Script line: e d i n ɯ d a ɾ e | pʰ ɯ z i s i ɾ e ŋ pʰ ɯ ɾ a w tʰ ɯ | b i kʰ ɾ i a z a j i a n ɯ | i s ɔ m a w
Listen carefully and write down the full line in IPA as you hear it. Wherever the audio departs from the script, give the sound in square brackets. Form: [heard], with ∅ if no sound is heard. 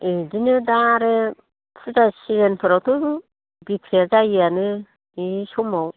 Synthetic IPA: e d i n ɯ d a ɾ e | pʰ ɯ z [a] s i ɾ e [n] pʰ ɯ ɾ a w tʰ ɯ | b i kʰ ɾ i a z a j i a n ɯ | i s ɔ m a w